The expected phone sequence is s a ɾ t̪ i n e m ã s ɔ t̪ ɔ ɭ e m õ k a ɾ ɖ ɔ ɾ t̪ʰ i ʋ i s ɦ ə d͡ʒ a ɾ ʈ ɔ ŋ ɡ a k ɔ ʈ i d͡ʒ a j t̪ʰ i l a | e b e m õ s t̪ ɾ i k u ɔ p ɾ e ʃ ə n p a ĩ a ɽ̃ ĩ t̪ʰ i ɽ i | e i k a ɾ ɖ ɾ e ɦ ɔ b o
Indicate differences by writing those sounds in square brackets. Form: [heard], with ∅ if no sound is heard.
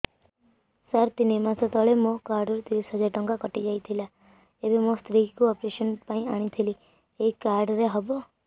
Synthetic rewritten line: s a ɾ t̪ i n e m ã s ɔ t̪ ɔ ɭ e m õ k a ɾ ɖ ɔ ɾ [t̪] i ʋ i s ɦ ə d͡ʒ a ɾ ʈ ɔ ŋ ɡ a k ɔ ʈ i d͡ʒ a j t̪ʰ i l a | e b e m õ s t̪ ɾ i k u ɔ p ɾ e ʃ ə n p a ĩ a ɽ̃ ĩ t̪ʰ i [l] i | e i k a ɾ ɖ ɾ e ɦ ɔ b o